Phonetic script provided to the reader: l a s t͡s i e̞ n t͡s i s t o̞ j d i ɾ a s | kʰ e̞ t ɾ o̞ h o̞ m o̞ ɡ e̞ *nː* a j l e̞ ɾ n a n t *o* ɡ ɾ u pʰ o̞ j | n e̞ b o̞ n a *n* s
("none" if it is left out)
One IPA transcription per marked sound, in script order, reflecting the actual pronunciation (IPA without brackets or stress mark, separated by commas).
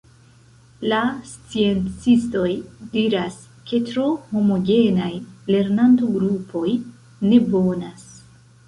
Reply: n, o, none